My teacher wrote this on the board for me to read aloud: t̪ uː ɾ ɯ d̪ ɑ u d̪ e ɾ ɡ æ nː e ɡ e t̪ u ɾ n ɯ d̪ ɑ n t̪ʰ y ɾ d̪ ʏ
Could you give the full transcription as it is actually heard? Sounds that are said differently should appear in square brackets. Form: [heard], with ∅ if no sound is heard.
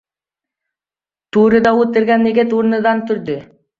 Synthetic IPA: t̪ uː ɾ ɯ d̪ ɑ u [t̪] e ɾ ɡ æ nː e ɡ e t̪ u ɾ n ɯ d̪ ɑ n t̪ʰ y ɾ d̪ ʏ